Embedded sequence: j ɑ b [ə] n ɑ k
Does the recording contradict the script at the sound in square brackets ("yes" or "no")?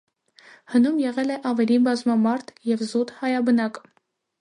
no